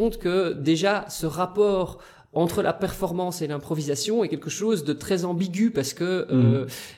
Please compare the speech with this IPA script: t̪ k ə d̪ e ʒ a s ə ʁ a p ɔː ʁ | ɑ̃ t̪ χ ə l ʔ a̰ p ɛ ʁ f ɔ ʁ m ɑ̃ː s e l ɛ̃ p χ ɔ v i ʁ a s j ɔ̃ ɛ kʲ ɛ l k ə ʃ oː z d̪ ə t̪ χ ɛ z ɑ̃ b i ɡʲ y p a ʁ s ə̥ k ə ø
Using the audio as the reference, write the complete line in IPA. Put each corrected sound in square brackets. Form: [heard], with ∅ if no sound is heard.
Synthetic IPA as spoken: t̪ k ə d̪ e ʒ a s ə ʁ a p ɔː ʁ | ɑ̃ t̪ χ ə l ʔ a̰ p ɛ ʁ f ɔ ʁ m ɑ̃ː s e l ɛ̃ p χ ɔ v i [z] a s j ɔ̃ ɛ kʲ ɛ l k ə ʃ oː z d̪ ə t̪ χ ɛ z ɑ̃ b i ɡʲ y p a ʁ s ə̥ k ə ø